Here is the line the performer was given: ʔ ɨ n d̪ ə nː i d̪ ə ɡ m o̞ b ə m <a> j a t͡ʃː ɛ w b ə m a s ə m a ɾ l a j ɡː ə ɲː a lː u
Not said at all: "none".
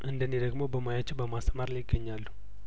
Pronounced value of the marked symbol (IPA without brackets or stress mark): a